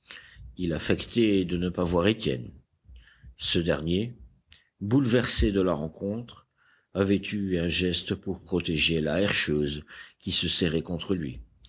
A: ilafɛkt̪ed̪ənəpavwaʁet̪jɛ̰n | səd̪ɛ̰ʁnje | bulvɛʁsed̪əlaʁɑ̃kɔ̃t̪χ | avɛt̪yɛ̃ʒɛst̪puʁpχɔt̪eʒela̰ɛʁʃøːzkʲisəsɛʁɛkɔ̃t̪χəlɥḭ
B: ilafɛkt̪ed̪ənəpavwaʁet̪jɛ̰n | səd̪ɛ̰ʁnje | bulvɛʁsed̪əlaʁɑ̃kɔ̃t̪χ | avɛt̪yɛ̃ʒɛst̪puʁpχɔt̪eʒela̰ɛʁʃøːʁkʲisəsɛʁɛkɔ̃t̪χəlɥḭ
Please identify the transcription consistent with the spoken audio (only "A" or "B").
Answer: A